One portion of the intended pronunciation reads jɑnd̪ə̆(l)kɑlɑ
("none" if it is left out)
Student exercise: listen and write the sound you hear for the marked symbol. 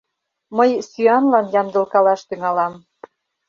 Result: l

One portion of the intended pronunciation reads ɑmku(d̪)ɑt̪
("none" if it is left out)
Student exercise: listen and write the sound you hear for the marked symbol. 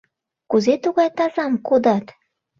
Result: d̪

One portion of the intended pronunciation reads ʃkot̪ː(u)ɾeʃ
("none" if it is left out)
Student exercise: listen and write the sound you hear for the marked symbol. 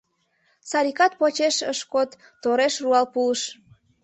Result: o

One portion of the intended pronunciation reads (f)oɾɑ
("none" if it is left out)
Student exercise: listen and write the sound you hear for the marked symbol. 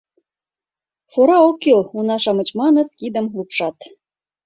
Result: f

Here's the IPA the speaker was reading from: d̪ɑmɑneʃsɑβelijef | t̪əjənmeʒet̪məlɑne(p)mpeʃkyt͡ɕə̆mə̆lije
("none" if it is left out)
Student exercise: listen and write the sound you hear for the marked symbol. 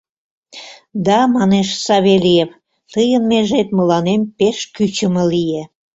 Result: none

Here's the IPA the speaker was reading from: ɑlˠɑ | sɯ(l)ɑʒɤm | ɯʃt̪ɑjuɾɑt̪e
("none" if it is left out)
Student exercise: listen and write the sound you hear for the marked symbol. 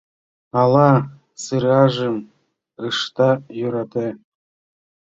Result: ɾ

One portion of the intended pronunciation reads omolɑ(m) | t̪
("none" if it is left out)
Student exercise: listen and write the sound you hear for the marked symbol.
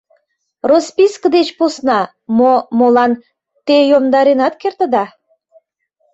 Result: n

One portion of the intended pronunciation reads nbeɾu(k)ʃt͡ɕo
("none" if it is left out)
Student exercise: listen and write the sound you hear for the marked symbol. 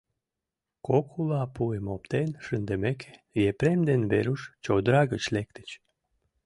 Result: none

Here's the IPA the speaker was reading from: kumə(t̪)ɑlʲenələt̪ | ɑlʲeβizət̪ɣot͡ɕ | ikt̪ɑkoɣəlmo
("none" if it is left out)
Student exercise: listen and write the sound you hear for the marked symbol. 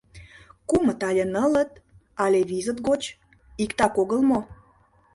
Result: t̪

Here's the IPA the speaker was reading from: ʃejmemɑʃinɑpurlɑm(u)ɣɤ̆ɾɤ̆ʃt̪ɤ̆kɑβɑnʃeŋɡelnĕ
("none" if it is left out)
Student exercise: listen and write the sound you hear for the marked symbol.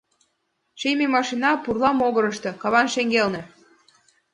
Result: o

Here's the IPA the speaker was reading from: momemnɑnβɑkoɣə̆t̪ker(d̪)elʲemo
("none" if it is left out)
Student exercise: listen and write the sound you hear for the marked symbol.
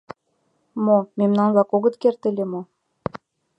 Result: t̪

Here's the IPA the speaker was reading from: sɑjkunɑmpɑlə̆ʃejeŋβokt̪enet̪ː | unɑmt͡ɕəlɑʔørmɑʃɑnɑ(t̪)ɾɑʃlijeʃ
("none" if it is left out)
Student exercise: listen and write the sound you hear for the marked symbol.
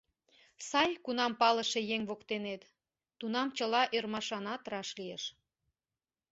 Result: t̪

